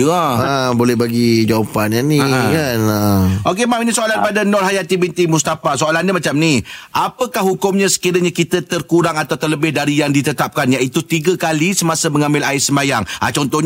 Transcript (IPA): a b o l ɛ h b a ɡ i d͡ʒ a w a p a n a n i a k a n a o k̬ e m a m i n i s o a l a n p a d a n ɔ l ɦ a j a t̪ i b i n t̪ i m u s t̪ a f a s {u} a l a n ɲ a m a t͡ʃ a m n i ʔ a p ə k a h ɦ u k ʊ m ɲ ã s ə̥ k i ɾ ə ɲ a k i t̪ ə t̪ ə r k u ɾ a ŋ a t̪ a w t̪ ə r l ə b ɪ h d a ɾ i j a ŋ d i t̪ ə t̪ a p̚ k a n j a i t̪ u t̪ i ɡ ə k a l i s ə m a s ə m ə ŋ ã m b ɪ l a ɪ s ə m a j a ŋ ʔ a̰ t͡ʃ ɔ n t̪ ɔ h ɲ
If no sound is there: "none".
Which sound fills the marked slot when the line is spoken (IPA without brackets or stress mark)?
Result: o